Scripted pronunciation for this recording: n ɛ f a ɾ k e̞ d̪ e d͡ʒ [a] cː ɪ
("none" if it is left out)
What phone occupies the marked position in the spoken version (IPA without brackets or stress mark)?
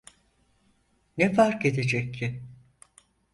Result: ɛ